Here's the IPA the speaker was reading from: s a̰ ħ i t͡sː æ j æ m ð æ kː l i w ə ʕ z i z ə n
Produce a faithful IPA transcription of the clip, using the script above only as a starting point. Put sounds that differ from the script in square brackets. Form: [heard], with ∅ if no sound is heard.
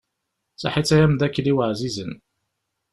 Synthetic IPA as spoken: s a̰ ħ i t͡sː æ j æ m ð æ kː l i w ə ʕ z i z ə n